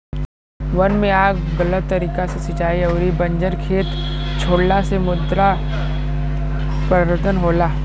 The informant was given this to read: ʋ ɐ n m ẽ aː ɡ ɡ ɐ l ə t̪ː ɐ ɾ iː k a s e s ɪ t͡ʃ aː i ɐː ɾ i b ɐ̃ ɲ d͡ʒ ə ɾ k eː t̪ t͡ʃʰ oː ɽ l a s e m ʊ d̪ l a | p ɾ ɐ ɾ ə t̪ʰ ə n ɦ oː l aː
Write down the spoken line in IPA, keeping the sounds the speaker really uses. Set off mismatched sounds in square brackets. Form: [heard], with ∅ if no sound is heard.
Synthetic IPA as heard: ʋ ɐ n m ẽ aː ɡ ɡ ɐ l ə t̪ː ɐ ɾ iː k a s e s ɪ t͡ʃ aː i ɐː ɾ i b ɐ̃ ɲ d͡ʒ ə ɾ [kʰ] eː t̪ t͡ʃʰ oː ɽ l a s e m ʊ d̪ [ɾ] a | p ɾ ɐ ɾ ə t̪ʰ ə n ɦ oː l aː